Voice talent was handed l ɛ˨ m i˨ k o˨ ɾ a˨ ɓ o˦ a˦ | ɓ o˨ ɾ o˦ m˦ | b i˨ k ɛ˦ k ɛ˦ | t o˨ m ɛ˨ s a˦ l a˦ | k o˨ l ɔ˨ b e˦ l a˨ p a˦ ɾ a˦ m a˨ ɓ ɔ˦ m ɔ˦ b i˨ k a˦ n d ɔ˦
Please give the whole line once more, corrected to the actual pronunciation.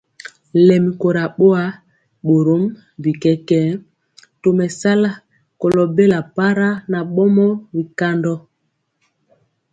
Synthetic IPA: l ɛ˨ m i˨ k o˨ ɾ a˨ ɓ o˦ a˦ | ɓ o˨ ɾ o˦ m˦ | b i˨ k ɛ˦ k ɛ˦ | t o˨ m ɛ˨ s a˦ l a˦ | k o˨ l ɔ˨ b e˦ l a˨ p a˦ ɾ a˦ n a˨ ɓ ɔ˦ m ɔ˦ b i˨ k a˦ n d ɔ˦